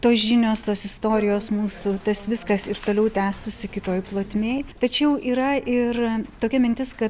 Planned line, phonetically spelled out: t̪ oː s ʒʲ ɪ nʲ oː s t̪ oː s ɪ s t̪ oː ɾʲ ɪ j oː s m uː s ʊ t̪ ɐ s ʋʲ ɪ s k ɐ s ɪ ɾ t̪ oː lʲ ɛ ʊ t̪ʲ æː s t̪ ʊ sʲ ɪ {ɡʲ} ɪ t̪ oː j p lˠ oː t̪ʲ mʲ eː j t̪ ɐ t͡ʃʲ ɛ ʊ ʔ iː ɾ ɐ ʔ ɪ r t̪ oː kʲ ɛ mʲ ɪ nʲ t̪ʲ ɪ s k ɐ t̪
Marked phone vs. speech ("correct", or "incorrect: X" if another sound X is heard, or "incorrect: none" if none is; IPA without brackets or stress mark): incorrect: kʲ